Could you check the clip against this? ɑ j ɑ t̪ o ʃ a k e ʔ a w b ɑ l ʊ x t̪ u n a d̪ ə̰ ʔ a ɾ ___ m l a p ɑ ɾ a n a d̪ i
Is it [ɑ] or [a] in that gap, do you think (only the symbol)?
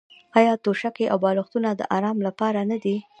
ɑ